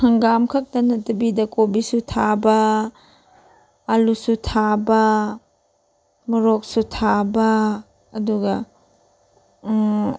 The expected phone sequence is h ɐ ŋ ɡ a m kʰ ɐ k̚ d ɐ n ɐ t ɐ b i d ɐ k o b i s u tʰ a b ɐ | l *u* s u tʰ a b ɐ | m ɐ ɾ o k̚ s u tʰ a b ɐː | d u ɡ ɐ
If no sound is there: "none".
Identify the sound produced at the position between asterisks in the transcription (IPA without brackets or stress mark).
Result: u